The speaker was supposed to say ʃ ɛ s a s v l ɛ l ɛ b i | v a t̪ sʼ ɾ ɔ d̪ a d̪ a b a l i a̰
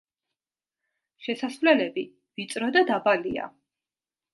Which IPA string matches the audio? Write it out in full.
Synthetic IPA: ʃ ɛ s a s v l ɛ l ɛ b i | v i t̪ sʼ ɾ ɔ d̪ a d̪ a b a l i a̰